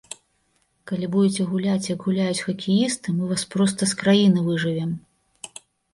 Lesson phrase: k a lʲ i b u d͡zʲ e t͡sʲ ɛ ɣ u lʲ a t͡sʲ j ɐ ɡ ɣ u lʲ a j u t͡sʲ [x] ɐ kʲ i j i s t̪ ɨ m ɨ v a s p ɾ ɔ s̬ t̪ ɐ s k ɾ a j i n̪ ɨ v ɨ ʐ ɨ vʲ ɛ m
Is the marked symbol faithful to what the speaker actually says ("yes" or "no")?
yes